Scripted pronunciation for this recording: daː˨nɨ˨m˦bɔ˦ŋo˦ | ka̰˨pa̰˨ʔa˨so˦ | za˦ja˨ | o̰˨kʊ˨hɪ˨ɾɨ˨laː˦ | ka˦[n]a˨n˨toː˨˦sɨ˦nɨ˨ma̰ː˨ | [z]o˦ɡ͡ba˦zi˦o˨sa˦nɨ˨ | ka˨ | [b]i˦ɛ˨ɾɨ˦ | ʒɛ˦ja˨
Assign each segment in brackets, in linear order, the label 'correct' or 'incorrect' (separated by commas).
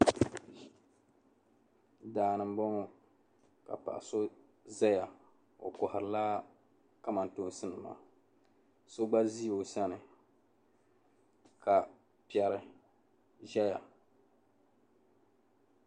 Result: incorrect, incorrect, incorrect